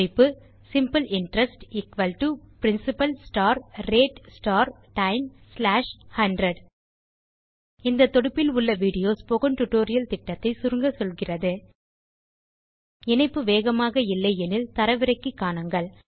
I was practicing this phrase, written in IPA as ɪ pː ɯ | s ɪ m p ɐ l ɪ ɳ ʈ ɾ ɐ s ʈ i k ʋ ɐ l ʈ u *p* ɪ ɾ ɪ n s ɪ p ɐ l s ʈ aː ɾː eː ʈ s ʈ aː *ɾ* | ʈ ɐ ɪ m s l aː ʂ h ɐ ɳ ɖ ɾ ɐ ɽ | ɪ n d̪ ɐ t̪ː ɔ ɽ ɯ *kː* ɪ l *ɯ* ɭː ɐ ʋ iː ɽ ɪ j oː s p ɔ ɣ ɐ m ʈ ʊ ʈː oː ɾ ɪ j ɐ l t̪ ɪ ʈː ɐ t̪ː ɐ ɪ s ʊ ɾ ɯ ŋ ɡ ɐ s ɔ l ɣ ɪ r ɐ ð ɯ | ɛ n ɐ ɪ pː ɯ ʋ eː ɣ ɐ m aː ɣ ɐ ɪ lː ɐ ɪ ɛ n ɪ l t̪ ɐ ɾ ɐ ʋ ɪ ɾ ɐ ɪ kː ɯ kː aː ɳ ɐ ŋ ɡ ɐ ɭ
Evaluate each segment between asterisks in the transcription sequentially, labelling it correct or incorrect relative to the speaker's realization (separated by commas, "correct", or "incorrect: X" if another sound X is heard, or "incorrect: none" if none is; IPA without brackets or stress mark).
correct, correct, incorrect: pː, incorrect: ʊ